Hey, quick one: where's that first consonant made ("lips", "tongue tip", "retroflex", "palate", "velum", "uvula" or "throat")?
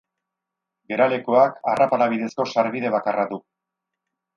velum